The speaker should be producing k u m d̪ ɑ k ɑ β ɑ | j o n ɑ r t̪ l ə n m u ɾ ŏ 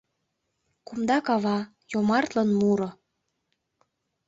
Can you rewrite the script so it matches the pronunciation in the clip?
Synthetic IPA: k u m d̪ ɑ k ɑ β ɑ | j o m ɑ r t̪ l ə n m u ɾ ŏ